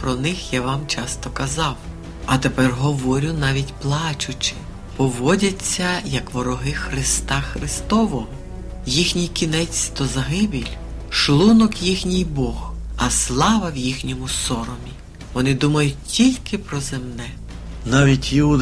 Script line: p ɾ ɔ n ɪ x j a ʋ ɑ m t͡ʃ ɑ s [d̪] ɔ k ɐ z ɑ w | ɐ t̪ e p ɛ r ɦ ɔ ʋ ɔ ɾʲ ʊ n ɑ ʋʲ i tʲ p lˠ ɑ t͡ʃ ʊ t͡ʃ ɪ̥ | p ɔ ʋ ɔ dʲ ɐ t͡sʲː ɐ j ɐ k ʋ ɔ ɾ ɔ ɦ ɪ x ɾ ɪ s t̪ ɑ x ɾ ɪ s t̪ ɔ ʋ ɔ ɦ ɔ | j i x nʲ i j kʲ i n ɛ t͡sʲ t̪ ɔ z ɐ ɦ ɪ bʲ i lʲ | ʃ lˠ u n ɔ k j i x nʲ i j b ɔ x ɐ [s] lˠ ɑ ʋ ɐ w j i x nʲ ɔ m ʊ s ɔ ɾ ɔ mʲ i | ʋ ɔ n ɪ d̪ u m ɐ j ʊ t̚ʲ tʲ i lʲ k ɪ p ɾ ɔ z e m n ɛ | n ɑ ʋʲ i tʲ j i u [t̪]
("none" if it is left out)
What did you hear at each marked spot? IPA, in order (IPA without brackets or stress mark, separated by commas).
t̪, s, d̪